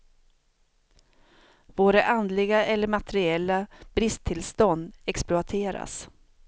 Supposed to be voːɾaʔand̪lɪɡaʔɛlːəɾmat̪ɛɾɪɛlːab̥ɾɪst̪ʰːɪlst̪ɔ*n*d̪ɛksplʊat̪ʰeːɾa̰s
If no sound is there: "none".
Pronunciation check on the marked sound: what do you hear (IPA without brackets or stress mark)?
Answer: n